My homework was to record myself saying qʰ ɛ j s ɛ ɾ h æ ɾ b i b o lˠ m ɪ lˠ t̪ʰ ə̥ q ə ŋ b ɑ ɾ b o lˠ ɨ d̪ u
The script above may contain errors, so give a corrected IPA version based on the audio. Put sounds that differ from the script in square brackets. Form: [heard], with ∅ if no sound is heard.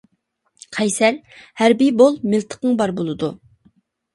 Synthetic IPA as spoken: qʰ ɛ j s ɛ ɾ h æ ɾ b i b o lˠ m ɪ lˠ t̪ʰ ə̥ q ə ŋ b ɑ ɾ b o lˠ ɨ d̪ u

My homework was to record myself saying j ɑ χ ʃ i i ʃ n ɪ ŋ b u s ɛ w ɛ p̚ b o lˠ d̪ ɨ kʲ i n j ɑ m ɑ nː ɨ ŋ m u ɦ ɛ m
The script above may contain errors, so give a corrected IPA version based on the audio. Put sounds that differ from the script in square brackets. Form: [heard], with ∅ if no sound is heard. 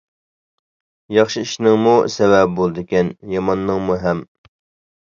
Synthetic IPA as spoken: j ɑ χ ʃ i i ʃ n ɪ ŋ [m] u s ɛ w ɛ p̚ b o lˠ d̪ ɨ kʲ [ɛ] n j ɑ m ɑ nː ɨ ŋ m u ɦ ɛ m

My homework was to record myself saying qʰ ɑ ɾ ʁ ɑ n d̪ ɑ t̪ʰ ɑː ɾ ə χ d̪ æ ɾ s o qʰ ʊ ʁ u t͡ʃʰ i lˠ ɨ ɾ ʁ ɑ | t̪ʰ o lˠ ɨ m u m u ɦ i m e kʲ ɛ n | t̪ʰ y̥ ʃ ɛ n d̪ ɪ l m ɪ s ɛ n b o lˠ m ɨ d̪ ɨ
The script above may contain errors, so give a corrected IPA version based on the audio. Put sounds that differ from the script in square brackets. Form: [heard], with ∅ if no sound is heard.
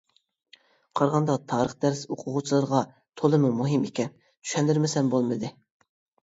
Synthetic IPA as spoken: qʰ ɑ ɾ ʁ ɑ n d̪ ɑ t̪ʰ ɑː ɾ ə χ d̪ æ ɾ s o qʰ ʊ ʁ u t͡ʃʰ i lˠ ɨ ɾ ʁ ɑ | t̪ʰ o lˠ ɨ m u m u ɦ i m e kʲ ɛ n | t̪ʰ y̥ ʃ ɛ n d̪ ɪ [ɾ] m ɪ s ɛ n b o lˠ m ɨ d̪ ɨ

